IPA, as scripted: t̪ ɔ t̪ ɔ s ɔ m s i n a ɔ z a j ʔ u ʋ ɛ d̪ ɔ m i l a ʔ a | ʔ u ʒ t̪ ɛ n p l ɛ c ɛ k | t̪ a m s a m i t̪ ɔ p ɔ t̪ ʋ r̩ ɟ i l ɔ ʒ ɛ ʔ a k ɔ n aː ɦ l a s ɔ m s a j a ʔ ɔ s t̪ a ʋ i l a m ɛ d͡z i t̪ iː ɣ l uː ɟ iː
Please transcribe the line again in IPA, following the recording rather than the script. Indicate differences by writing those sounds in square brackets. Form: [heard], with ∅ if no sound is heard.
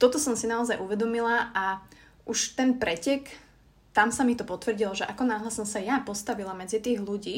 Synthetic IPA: t̪ ɔ t̪ ɔ s ɔ m s i n a ɔ z a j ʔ u ʋ ɛ d̪ ɔ m i l a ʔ a | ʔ u [ʃ] t̪ ɛ n p [ɾ] ɛ c ɛ k | t̪ a m s a m i t̪ ɔ p ɔ t̪ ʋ r̩ ɟ i l ɔ ʒ ɛ ʔ a k ɔ n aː ɦ l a s ɔ m s a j a [p] ɔ s t̪ a ʋ i l a m ɛ d͡z i t̪ iː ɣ l [u] ɟ iː